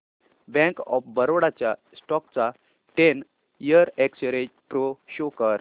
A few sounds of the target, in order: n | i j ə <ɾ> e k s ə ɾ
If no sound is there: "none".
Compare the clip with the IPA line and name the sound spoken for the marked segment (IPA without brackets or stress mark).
ɾ